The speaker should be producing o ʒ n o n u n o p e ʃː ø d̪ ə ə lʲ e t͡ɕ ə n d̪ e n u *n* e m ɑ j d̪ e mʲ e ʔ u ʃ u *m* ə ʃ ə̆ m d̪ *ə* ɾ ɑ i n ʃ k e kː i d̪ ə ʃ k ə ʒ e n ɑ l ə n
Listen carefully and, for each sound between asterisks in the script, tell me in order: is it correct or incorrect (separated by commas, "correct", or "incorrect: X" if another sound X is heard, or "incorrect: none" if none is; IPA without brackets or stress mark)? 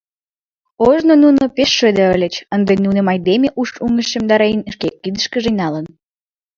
correct, incorrect: ŋ, incorrect: ɑ